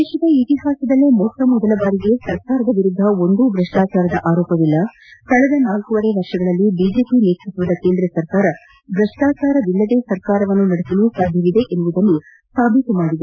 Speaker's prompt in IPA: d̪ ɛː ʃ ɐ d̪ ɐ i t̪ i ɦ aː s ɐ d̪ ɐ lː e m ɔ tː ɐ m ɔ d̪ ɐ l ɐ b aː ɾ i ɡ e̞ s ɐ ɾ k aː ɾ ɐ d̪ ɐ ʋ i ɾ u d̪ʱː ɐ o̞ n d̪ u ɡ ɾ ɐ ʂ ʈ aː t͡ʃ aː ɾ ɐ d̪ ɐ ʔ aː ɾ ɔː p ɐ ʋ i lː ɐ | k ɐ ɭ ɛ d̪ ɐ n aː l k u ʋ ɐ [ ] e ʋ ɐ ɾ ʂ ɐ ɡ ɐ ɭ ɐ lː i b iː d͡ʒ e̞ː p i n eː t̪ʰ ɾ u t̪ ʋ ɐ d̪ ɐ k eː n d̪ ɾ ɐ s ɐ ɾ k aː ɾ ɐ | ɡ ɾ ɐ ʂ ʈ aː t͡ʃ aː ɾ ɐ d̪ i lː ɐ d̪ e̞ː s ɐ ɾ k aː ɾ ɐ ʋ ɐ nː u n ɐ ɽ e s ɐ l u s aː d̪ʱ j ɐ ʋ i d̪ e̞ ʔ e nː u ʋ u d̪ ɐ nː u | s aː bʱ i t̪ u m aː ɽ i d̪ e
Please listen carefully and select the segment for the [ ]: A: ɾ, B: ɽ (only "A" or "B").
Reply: B